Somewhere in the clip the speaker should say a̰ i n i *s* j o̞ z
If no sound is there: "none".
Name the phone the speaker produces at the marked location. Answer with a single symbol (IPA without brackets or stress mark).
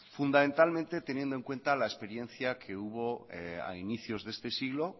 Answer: θ